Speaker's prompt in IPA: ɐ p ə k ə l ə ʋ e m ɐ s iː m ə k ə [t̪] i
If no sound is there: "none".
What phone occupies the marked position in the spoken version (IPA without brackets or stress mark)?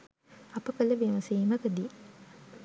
d̪